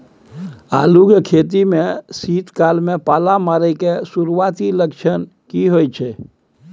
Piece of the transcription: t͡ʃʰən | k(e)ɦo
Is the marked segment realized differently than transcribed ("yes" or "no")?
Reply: yes